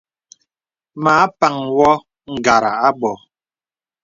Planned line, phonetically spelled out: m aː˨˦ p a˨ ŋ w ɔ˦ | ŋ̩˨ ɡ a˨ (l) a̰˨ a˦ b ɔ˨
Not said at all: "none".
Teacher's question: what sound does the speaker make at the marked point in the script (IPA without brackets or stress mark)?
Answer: ɾ